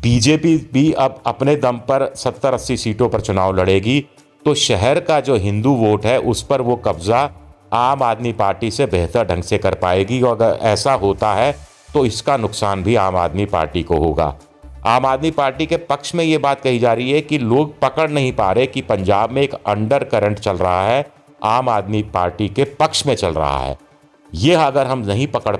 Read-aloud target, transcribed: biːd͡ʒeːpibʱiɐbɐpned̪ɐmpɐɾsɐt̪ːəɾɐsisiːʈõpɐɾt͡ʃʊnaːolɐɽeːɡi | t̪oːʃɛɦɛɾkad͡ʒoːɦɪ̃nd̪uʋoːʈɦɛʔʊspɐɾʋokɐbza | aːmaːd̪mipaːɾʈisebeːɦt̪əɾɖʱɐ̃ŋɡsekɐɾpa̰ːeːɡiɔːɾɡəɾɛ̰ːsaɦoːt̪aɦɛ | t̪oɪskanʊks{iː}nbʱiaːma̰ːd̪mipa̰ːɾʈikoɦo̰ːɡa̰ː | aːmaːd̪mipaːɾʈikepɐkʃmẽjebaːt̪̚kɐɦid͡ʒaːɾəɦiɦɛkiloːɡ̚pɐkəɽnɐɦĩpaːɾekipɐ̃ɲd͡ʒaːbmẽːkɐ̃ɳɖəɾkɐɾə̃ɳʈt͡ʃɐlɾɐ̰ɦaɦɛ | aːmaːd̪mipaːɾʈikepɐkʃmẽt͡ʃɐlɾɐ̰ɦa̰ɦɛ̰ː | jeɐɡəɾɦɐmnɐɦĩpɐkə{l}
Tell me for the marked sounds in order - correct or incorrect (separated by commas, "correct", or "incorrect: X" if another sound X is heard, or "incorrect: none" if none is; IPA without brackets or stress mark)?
incorrect: aː, incorrect: ɽ